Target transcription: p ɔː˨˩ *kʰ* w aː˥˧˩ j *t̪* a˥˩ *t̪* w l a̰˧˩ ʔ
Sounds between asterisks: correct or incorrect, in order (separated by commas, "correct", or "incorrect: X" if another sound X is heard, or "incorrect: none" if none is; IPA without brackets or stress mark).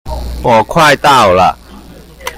correct, correct, incorrect: none